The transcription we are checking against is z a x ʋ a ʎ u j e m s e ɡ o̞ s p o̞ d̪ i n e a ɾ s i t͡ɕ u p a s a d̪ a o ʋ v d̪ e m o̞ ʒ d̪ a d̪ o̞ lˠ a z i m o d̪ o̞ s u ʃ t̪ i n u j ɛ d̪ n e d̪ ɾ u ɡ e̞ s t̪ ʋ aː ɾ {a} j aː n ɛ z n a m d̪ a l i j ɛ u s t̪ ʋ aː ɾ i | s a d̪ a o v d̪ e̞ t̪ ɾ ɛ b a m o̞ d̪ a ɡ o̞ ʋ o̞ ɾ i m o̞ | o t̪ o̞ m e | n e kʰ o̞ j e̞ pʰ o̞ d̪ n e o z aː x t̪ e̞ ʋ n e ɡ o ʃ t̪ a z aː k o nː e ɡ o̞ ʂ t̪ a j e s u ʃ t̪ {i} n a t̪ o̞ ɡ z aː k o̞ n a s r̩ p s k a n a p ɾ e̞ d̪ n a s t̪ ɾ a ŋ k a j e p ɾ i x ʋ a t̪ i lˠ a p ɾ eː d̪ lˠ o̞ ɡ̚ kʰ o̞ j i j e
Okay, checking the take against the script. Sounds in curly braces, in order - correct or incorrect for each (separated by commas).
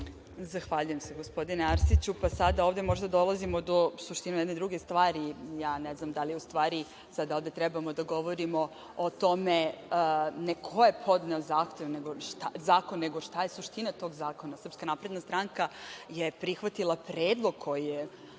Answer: incorrect, correct